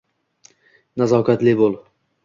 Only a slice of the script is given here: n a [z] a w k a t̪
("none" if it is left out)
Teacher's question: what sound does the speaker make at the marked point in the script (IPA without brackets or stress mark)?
z